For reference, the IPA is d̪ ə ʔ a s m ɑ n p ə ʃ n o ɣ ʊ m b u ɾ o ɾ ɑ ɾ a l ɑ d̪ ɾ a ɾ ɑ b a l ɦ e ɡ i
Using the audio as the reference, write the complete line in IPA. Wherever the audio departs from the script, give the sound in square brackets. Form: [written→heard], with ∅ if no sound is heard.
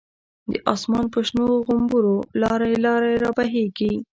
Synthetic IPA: d̪ ə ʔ [a→ɑ] s m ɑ n p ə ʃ n o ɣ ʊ m b u ɾ o [ɾ→l] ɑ ɾ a l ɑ [d̪→∅] ɾ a ɾ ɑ b a [l→∅] ɦ e ɡ i